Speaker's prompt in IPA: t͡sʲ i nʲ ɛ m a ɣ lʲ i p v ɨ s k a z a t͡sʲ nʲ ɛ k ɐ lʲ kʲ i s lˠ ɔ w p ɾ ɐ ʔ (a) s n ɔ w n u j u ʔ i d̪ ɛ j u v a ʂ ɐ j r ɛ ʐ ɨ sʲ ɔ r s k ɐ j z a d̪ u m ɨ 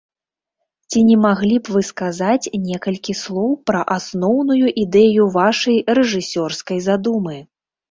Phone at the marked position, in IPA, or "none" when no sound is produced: a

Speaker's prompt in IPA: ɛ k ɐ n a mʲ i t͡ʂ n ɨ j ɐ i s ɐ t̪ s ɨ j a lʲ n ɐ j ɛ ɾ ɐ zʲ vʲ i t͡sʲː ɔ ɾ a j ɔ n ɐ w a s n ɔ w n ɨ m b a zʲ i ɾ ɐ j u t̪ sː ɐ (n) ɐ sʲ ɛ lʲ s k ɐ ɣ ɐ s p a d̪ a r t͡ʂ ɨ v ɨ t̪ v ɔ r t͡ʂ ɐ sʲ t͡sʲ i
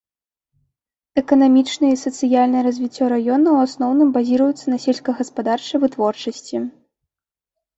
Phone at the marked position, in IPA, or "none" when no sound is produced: n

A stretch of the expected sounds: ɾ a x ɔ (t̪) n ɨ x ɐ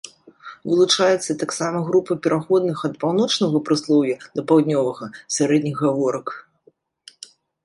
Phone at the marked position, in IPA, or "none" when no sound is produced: d̪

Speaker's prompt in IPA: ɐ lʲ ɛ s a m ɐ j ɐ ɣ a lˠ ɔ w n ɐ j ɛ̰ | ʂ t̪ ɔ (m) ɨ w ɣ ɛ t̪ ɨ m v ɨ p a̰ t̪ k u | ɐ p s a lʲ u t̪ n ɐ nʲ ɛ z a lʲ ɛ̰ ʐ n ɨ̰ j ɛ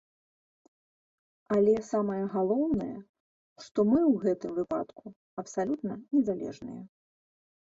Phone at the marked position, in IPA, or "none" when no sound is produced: m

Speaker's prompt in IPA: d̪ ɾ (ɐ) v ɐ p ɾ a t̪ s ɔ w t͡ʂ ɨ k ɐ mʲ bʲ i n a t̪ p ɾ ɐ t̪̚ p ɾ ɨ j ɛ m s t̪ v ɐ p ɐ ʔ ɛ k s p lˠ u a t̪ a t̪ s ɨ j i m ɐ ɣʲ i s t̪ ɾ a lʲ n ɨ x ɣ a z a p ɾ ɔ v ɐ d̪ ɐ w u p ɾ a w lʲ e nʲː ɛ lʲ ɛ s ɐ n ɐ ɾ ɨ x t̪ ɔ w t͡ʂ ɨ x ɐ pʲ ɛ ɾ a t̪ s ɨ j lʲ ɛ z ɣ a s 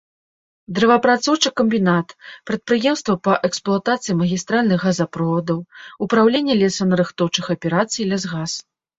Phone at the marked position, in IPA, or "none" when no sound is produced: ɐ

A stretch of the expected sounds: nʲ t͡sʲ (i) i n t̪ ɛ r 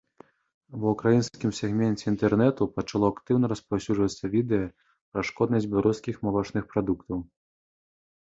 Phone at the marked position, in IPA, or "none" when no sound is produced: ɛ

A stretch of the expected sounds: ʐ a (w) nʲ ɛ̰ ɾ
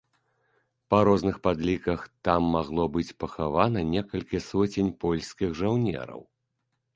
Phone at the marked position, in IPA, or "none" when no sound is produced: w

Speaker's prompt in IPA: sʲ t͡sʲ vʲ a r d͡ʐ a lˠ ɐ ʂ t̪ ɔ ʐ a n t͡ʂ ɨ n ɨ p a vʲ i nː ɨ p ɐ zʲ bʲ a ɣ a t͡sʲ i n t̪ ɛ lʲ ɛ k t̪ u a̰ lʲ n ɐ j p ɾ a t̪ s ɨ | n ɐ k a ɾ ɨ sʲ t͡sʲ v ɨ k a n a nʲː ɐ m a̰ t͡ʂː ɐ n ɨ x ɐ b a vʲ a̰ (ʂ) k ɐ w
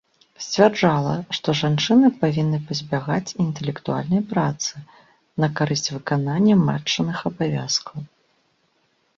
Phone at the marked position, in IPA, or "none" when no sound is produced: s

